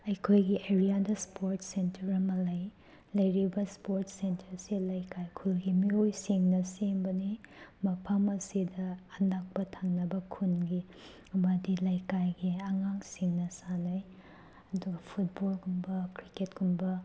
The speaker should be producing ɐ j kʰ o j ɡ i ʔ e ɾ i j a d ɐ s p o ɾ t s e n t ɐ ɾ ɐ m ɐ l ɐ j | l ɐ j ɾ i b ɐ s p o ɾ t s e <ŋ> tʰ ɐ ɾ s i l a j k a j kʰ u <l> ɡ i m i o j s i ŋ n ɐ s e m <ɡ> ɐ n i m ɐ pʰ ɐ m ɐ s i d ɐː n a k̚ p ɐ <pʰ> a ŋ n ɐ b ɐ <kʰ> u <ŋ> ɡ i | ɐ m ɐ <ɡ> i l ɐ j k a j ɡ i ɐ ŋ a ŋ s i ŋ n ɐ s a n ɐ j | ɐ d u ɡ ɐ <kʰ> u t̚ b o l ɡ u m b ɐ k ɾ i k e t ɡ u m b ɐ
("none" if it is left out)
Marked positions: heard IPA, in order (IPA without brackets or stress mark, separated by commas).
n, l, b, tʰ, kʰ, n, d, pʰ